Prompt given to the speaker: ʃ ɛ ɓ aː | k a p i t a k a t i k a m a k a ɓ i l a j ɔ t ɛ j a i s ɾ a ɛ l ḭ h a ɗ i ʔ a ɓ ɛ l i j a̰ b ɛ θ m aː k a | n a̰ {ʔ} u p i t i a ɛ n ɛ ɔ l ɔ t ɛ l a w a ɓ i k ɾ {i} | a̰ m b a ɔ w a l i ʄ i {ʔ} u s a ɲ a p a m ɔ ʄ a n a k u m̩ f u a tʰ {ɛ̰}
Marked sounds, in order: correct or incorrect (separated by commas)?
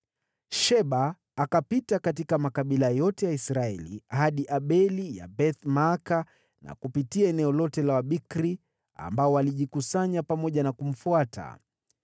incorrect, correct, incorrect, incorrect